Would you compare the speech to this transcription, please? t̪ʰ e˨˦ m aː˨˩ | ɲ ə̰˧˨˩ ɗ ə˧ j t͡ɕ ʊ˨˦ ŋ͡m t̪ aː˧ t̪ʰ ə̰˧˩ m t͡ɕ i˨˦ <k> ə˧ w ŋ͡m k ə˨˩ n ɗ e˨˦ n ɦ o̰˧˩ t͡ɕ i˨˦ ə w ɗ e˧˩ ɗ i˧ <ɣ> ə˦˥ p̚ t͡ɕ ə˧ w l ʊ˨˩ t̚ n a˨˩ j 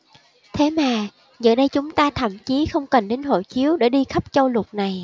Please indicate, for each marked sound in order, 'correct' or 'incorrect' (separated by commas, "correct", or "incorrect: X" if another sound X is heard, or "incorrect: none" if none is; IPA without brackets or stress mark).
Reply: incorrect: x, incorrect: x